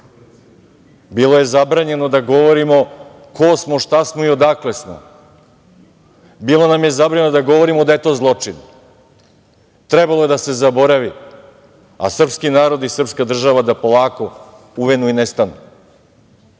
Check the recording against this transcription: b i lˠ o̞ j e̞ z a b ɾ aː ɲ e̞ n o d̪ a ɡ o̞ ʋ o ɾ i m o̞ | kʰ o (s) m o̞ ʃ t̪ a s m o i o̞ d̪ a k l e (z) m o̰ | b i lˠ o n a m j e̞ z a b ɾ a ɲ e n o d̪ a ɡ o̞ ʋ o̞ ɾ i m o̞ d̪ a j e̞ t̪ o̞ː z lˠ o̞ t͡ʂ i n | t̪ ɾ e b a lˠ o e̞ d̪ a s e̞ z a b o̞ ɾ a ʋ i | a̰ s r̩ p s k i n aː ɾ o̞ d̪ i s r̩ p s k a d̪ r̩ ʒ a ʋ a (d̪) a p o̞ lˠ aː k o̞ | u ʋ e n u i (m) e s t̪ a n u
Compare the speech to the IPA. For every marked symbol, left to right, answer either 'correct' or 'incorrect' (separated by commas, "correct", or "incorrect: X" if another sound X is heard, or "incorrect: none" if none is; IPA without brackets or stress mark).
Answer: correct, incorrect: s, correct, incorrect: n